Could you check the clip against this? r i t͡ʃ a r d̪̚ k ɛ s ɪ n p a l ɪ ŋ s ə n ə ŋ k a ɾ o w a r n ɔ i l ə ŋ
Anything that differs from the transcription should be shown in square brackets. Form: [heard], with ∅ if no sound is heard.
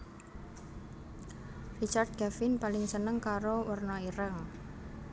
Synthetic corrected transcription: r i t͡ʃ a r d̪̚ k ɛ [f] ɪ n p a l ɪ ŋ s ə n ə ŋ k a ɾ o w [ə] r n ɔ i [ɾ] ə ŋ

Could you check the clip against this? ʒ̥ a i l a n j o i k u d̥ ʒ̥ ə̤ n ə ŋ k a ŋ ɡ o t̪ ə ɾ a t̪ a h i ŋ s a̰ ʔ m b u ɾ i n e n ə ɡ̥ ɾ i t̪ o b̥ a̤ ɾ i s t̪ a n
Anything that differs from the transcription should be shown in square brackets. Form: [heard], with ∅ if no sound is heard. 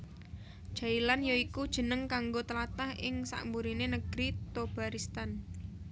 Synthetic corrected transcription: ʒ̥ a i l a n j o i k u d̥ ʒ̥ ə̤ n ə ŋ k a ŋ ɡ o t̪ ə [l] a t̪ a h [ɪ] ŋ s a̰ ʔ m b u ɾ i n e n ə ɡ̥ ɾ i t̪ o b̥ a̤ ɾ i s t̪ a n

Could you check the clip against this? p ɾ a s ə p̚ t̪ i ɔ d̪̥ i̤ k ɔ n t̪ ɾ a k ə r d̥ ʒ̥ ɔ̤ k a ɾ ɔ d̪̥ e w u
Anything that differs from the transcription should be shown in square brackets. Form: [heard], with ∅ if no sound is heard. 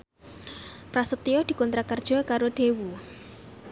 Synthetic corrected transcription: p ɾ a s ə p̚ t̪ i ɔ d̪̥ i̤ k ɔ n t̪ ɾ a k ə r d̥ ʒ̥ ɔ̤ k a ɾ [o] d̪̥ e w u

